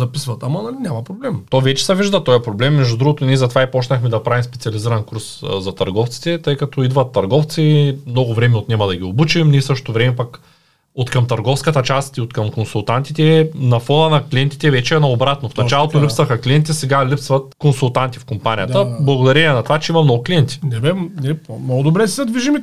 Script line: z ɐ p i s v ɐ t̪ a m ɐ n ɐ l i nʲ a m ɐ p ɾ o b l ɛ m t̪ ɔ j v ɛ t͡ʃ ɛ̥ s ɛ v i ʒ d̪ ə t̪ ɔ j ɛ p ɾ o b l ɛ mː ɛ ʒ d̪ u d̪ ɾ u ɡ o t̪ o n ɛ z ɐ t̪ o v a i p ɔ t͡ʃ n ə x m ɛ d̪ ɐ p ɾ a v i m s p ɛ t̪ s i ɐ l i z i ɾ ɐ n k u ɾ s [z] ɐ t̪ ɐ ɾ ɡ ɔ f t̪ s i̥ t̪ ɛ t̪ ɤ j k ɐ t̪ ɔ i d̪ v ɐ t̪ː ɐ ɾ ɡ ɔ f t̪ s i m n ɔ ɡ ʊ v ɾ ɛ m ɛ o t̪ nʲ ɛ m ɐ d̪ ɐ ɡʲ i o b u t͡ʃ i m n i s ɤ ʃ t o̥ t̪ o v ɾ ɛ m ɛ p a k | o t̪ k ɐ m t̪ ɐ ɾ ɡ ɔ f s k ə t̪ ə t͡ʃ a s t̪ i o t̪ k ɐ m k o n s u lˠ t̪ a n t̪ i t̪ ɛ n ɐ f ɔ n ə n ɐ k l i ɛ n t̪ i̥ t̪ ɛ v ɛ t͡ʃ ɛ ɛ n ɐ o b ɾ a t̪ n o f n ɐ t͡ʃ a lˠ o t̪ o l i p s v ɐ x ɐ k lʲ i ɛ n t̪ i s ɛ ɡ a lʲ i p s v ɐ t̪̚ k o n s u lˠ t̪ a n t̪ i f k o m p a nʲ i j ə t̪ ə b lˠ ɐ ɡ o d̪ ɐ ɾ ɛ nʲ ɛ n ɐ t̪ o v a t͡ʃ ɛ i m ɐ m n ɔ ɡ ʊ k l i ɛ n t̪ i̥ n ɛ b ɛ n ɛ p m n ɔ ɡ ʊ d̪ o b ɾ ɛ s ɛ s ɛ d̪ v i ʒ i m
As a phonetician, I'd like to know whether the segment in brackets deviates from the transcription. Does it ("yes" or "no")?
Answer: no